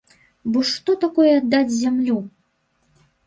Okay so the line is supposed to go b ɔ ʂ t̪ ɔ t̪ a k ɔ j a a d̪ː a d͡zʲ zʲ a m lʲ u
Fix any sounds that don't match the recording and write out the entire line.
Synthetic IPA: b ɔ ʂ t̪ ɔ t̪ a k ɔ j ɛ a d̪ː a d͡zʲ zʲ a m lʲ u